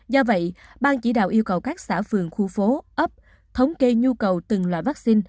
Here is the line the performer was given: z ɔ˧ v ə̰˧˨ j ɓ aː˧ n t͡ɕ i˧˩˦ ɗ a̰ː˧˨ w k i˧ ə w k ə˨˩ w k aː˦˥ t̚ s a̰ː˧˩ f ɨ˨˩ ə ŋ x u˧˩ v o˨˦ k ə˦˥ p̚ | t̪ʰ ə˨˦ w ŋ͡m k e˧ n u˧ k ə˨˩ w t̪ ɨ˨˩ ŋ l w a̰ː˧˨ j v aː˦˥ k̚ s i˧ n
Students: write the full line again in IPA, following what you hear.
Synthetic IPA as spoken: z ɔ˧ v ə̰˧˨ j ɓ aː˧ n t͡ɕ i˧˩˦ ɗ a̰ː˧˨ w ʔ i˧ ə w k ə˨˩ w k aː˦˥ k̚ s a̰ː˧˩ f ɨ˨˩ ə ŋ x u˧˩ f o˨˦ ʔ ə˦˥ p̚ | t̪ʰ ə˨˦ w ŋ͡m k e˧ ɲ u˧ k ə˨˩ w t̪ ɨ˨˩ ŋ l w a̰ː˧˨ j v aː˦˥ k̚ s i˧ n